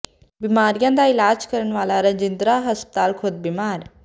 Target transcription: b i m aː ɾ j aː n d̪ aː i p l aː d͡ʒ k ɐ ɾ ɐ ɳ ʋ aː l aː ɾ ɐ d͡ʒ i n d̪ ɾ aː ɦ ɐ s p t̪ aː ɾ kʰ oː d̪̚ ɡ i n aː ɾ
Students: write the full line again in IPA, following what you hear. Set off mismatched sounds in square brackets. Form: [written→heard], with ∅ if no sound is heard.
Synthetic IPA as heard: b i m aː ɾ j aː n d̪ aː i [p→∅] l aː d͡ʒ k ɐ ɾ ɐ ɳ ʋ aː l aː ɾ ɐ d͡ʒ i n d̪ ɾ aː ɦ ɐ s p t̪ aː [ɾ→l] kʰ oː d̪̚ [ɡ→b] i [n→m] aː ɾ